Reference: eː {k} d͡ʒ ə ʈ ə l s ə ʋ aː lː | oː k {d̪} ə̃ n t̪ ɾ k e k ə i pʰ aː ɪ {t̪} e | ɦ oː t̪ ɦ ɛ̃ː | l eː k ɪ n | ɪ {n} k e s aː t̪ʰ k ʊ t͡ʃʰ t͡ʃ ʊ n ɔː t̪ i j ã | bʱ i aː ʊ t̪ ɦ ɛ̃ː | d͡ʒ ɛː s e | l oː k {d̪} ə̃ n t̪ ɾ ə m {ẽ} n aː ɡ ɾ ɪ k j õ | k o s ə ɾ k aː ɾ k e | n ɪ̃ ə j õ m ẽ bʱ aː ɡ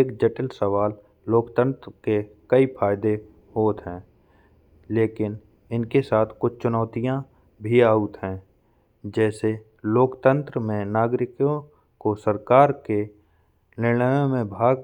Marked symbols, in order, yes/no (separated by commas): yes, no, no, yes, no, yes